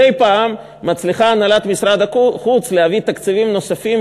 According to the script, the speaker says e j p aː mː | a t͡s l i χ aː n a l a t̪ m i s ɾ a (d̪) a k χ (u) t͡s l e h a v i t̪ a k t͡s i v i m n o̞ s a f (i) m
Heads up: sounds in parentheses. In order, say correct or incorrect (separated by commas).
correct, correct, correct